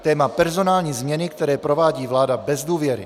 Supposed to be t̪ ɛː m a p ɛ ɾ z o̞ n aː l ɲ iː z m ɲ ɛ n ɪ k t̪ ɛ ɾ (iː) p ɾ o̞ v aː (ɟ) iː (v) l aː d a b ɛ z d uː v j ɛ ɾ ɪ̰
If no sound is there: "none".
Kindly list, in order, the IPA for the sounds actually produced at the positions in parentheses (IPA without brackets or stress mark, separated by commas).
ɛː, ɟ, v